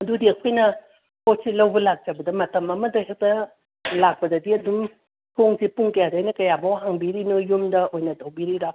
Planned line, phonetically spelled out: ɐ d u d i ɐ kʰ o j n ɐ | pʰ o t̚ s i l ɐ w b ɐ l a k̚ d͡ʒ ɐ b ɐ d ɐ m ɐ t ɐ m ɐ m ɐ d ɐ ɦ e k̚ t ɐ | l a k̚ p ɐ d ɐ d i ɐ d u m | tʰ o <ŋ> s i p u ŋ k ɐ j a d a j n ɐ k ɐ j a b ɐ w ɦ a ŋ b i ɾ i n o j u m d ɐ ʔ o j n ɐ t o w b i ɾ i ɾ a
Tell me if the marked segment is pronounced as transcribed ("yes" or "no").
yes